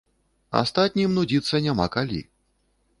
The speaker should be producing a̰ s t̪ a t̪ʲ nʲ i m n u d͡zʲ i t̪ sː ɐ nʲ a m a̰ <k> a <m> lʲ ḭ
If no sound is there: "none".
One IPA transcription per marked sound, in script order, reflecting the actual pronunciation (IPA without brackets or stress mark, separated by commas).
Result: k, none